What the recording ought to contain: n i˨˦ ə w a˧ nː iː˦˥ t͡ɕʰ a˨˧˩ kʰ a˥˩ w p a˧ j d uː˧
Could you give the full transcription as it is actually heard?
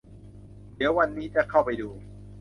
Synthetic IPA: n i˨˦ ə w a˧ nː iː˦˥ t͡ɕ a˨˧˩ kʰ a˥˩ w p a˧ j d uː˧